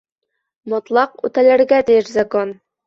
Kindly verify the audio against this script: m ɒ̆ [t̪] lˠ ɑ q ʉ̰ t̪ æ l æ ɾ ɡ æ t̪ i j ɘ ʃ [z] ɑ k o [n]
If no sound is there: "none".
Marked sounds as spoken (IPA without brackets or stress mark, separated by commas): t̪, z, n